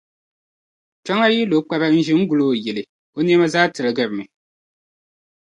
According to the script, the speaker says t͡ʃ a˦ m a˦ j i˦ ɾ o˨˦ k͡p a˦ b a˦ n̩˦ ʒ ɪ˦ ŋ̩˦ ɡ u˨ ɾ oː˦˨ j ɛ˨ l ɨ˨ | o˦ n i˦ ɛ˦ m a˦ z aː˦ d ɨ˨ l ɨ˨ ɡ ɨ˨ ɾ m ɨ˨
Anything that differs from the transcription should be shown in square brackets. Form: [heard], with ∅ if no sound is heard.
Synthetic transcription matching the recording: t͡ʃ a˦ [ŋ] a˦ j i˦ [l] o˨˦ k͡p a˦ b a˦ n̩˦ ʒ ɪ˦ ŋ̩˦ ɡ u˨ [l] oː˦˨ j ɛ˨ l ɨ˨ | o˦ n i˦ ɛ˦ m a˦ z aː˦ [t] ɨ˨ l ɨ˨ ɡ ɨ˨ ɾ m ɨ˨